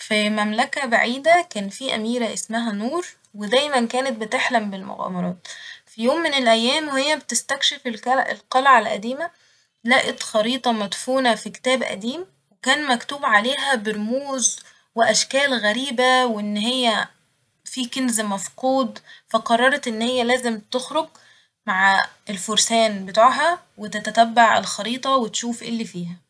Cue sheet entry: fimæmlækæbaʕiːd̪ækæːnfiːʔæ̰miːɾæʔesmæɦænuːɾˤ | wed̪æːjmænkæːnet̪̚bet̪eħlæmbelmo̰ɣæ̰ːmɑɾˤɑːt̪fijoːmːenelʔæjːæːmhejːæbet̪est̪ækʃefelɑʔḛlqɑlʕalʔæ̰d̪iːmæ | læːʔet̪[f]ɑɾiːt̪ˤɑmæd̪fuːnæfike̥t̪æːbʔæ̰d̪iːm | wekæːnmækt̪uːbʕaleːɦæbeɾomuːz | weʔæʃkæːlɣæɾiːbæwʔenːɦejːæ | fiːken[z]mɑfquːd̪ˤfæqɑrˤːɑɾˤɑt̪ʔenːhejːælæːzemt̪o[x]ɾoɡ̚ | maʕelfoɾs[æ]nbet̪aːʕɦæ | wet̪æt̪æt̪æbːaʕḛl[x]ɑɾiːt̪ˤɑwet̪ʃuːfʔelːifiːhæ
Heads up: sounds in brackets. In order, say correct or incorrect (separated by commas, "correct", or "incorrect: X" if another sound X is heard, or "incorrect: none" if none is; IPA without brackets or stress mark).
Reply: incorrect: x, correct, correct, incorrect: æː, correct